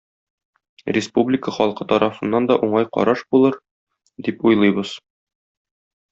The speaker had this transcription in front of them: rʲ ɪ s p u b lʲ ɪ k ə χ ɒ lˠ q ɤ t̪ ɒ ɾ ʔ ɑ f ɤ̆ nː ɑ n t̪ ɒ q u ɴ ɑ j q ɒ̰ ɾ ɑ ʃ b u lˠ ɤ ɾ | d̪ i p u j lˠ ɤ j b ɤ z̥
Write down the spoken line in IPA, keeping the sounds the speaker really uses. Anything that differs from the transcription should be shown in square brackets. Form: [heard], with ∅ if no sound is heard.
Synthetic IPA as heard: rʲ ɪ s p u b lʲ ɪ k ə χ ɒ lˠ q ɤ t̪ ɒ ɾ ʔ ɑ f ɤ̆ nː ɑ n [d̪] ɒ [ʔ] u ɴ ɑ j q ɒ̰ ɾ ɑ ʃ b u lˠ ɤ ɾ | d̪ i p u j lˠ ɤ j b ɤ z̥